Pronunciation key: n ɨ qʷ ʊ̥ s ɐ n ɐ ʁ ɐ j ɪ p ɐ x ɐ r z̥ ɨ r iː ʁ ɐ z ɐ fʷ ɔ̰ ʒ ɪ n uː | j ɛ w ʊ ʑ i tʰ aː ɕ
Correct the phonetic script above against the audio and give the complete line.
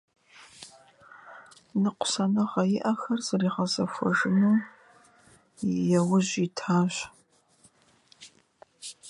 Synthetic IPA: n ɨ qʷ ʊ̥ s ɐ n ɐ ʁ ɐ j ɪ ʔ ɐ x ɐ r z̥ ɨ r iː ʁ ɐ z ɐ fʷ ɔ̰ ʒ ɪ n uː | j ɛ w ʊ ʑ i tʰ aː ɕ